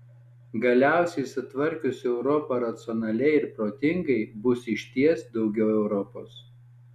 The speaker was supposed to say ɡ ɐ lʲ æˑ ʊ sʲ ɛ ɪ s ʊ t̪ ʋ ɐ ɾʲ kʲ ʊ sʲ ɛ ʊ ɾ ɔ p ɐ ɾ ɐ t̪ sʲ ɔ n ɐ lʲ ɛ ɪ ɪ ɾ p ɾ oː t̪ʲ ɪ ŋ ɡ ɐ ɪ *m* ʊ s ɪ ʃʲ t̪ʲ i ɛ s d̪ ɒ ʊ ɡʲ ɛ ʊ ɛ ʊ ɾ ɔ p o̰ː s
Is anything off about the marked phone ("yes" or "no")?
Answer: yes